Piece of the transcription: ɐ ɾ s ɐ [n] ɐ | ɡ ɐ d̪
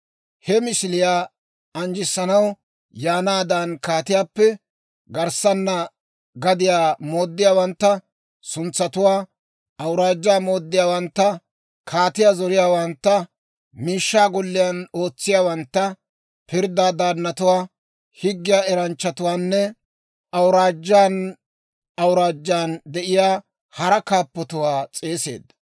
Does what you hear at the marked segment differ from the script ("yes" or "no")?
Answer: yes